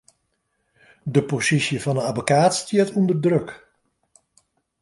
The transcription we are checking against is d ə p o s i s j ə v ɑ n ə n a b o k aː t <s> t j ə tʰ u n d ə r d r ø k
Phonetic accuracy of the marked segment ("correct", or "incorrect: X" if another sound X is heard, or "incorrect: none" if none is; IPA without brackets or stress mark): correct